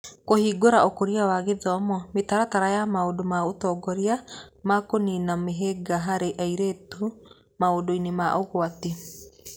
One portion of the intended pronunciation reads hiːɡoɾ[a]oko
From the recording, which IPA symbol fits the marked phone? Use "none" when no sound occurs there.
a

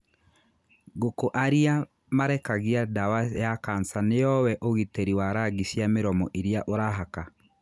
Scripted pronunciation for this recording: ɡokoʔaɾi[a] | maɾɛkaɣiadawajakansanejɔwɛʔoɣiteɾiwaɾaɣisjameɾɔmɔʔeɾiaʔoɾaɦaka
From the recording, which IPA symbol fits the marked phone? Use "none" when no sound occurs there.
a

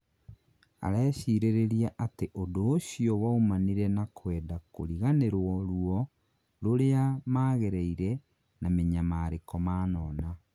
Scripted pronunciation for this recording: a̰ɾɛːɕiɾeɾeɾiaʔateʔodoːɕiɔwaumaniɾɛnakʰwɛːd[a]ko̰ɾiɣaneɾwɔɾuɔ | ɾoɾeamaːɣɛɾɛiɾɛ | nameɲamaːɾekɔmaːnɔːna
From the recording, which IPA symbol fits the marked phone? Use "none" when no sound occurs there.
a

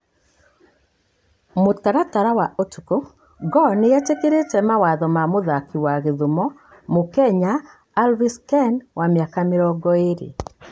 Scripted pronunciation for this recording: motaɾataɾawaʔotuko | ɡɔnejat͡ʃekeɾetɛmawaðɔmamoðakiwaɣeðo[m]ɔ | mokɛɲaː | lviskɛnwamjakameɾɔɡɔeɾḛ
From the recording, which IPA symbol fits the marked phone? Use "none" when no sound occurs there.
m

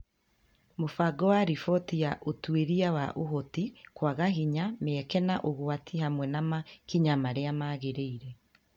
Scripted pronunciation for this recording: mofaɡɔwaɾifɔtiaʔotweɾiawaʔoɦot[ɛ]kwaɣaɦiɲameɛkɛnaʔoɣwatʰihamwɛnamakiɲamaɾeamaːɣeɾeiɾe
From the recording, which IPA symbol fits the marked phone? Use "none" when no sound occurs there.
i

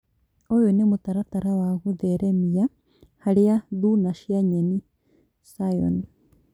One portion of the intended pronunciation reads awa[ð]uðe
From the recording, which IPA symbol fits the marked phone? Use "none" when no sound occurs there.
ɣ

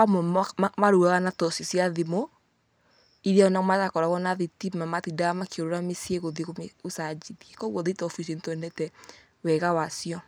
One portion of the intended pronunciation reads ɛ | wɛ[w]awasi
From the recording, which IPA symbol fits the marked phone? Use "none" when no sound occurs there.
ɣ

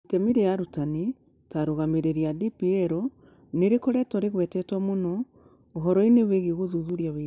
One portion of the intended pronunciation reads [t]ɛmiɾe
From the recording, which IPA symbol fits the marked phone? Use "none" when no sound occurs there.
t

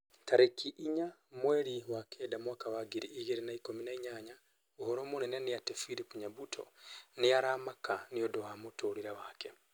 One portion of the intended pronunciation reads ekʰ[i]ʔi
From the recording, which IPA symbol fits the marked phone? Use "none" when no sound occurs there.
i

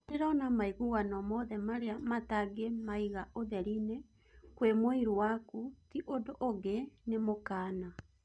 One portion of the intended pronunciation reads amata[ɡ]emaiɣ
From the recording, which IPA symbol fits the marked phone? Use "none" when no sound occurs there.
ɡ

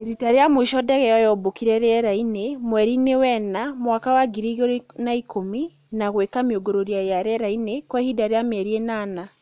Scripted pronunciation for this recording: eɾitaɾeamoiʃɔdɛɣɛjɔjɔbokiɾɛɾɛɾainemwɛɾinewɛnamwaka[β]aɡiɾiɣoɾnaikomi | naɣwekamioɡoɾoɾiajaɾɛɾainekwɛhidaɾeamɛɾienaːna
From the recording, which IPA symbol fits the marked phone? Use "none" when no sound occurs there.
w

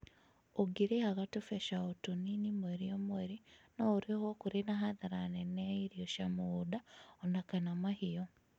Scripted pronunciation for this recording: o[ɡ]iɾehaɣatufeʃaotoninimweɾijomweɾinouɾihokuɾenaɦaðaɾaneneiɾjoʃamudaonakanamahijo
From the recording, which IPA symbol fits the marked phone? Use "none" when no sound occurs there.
ɡ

